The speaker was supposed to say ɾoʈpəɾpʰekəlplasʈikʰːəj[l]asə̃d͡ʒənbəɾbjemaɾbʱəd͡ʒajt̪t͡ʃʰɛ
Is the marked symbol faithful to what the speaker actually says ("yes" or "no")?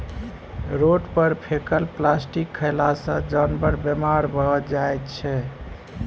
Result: yes